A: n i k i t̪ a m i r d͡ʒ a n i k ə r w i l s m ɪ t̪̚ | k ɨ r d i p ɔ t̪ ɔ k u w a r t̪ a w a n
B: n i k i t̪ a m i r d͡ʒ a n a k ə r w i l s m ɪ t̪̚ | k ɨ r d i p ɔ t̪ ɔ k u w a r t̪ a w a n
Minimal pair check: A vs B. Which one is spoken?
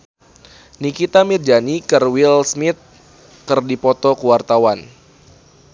A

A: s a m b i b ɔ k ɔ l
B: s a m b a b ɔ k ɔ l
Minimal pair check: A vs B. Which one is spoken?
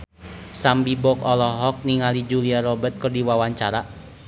A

